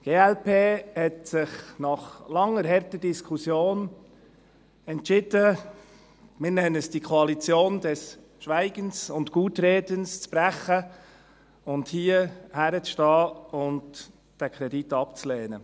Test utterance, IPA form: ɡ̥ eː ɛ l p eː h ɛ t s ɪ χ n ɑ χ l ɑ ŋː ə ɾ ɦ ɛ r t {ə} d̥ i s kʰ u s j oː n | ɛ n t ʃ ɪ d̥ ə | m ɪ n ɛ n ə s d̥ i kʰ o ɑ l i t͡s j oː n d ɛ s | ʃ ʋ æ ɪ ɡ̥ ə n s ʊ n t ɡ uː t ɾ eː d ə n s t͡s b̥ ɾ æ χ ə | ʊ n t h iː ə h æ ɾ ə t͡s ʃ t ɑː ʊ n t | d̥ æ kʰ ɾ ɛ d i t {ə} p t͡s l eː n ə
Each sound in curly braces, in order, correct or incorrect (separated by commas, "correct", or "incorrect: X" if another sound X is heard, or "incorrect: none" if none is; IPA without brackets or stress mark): correct, incorrect: ɑ